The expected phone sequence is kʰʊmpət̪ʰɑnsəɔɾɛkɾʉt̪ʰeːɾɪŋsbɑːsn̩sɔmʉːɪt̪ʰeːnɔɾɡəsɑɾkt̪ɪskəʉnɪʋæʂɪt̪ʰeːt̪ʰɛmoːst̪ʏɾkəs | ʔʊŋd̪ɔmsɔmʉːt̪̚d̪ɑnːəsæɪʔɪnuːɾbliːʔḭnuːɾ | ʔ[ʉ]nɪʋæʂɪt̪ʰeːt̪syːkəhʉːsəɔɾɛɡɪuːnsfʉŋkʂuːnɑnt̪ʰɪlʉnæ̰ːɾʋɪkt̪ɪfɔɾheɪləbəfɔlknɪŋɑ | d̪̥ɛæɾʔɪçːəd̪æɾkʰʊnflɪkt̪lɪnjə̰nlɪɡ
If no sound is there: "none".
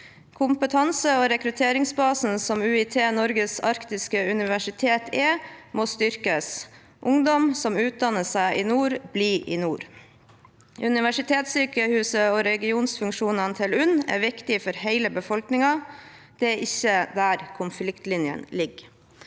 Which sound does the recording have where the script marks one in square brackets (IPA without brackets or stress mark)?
ʉ